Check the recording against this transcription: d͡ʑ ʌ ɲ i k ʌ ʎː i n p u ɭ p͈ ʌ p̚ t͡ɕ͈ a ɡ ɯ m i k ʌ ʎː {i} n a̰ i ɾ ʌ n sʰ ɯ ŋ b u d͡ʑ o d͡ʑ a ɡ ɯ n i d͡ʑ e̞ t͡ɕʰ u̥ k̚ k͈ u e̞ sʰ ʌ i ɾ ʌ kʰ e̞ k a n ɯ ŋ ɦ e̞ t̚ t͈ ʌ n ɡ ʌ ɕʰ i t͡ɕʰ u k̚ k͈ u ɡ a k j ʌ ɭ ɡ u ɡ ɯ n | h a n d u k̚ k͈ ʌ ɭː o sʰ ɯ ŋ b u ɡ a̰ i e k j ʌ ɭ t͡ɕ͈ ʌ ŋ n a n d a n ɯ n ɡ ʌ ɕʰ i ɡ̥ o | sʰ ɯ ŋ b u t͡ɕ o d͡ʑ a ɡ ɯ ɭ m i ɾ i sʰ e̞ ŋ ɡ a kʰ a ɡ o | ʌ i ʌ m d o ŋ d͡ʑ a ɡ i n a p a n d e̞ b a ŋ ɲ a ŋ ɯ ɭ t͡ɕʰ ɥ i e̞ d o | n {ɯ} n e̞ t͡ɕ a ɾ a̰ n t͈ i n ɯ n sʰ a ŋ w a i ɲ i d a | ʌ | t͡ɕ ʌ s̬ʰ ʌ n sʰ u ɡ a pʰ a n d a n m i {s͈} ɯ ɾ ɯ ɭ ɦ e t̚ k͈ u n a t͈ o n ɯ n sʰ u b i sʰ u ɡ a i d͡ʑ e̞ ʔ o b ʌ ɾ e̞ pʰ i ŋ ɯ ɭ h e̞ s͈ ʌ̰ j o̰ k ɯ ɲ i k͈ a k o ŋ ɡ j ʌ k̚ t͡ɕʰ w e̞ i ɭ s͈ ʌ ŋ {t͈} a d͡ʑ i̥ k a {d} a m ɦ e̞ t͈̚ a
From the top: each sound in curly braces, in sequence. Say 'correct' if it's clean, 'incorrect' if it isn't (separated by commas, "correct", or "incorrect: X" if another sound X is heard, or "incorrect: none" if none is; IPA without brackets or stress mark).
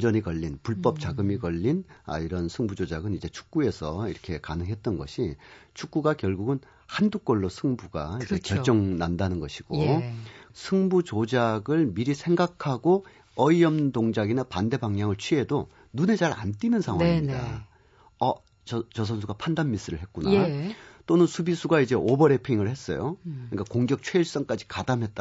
correct, incorrect: u, correct, incorrect: k͈, correct